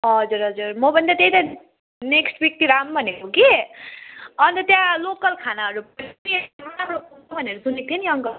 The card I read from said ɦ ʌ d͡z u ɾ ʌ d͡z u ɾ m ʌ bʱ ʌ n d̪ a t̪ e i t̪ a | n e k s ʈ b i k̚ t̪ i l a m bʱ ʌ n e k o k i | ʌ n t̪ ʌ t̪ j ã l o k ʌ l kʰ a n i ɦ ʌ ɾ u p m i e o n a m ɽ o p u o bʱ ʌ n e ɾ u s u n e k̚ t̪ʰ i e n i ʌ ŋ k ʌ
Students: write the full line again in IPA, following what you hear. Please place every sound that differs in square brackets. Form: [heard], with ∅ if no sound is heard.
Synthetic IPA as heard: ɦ ʌ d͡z u ɾ ʌ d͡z u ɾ m ʌ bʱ ʌ n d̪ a t̪ e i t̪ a | n e k s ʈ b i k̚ t̪ i [ɾ] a m bʱ ʌ n e k o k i | ʌ n t̪ ʌ t̪ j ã l o k ʌ l kʰ a n [a] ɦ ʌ ɾ u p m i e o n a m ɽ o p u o bʱ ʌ n e ɾ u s u n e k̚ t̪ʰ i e n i ʌ ŋ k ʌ

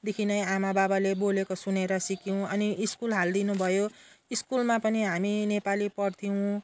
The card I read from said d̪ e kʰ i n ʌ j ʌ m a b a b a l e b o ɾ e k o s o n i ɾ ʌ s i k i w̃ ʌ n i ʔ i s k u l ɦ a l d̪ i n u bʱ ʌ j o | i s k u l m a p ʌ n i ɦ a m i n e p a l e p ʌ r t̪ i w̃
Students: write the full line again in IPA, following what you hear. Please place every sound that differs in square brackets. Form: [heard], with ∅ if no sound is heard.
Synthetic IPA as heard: d̪ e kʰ i n ʌ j [a] m a b a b a l e b o [l] e k o s [u] n [e] ɾ ʌ s i k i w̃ ʌ n i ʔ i s k u l ɦ a l d̪ i n u bʱ ʌ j o | i s k u l m a p ʌ n i ɦ a m i n e p a l [i] p ʌ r [t̪ʰ] i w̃

